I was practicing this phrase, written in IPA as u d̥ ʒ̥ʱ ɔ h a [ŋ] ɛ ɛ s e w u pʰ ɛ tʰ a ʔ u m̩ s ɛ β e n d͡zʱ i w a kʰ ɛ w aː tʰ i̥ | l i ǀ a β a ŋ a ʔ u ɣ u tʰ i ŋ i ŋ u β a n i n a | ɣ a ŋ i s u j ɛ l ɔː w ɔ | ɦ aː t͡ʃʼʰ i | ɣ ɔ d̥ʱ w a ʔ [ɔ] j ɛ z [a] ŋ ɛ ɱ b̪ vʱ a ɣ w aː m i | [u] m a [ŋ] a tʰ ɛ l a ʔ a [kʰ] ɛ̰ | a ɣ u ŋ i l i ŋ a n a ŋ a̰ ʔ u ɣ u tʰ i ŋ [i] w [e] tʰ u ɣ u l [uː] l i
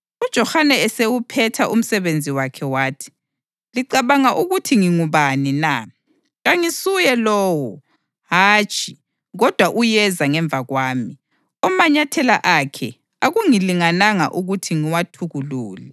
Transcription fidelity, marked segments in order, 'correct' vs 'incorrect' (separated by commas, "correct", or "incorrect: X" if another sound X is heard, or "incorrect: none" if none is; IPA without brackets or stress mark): incorrect: n, incorrect: u, correct, incorrect: ɔ, incorrect: ɲ, correct, correct, incorrect: a, correct